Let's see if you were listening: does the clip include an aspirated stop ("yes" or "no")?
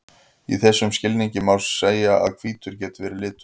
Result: yes